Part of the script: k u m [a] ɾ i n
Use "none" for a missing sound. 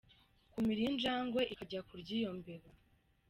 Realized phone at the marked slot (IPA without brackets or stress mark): i